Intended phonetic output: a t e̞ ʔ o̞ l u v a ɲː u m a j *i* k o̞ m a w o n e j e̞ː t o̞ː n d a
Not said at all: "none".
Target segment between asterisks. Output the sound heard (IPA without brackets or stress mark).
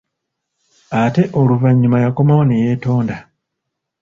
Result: a